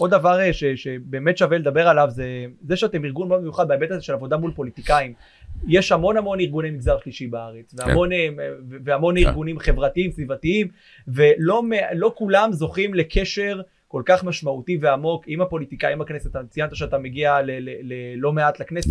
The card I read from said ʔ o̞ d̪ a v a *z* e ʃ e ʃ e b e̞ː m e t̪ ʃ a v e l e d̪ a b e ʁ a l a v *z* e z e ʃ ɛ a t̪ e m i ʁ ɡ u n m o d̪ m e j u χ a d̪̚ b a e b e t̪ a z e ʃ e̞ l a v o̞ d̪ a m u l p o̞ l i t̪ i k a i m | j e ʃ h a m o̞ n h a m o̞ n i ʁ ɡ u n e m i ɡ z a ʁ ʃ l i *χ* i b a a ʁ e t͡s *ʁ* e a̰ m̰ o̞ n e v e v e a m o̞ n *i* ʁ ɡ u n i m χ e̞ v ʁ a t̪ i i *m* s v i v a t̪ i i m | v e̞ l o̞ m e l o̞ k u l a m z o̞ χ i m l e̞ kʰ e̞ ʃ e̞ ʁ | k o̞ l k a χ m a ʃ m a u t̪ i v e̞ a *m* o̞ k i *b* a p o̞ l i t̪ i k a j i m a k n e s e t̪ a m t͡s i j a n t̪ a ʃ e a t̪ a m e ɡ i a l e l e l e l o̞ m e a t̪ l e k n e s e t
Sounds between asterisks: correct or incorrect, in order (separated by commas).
incorrect, correct, incorrect, incorrect, correct, correct, correct, incorrect